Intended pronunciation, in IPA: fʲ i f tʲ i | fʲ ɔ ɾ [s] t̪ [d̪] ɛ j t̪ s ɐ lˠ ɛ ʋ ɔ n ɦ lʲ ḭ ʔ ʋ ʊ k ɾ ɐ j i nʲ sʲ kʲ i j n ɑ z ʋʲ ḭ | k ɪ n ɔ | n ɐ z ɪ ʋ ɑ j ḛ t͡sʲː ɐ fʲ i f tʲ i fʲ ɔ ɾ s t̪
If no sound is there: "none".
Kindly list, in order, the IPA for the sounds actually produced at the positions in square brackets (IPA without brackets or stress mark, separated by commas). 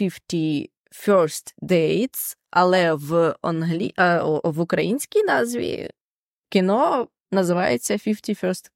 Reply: s, d̪